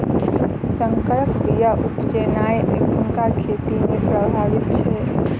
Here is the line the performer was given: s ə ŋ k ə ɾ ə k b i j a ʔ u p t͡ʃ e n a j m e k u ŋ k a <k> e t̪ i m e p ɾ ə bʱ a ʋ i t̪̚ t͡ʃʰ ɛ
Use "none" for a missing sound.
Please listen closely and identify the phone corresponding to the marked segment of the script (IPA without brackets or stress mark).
kʰ